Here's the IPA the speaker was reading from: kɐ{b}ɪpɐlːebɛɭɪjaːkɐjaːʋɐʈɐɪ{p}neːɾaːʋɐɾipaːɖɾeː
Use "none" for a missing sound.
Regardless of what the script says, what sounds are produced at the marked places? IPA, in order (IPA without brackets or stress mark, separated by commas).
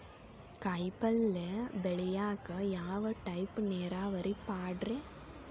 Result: none, p